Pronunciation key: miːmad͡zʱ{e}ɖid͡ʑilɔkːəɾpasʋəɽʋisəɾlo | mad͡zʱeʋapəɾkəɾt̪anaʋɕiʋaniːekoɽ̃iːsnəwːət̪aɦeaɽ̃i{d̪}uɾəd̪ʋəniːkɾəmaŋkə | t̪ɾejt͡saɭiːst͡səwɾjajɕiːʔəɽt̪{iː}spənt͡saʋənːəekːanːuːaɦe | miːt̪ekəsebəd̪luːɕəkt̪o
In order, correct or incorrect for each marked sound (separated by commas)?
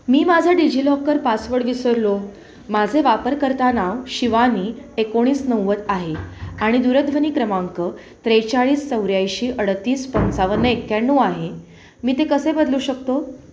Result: incorrect, correct, correct